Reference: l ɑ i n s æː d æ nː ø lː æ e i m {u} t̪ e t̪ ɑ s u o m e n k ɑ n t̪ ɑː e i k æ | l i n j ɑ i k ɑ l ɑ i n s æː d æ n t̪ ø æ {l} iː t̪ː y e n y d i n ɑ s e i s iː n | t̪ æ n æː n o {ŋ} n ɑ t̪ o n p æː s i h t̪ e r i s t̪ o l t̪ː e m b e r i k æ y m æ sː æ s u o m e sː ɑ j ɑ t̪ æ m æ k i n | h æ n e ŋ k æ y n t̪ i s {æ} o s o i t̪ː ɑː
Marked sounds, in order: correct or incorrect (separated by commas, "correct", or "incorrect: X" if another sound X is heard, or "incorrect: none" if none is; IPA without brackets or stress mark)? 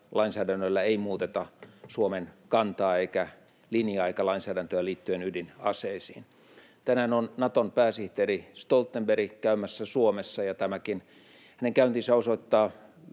incorrect: uː, correct, incorrect: n, correct